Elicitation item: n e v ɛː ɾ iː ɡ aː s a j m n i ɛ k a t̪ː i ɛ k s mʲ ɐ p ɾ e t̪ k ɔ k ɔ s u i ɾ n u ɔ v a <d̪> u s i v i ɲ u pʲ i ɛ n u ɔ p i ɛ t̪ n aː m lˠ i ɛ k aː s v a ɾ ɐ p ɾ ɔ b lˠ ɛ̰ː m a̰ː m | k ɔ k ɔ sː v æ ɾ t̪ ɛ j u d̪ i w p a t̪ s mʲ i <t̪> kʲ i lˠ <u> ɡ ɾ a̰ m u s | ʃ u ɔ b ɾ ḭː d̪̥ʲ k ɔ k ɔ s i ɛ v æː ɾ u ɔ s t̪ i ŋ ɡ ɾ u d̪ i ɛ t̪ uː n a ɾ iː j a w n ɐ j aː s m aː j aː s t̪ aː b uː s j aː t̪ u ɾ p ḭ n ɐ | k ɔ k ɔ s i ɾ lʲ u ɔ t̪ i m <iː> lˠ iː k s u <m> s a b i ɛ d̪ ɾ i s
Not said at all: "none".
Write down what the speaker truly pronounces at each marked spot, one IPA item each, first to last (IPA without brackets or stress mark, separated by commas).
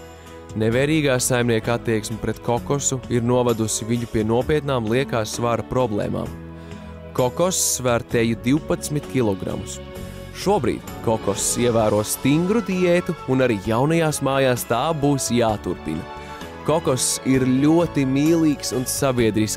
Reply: d̪, t̪, ɔ, iː, n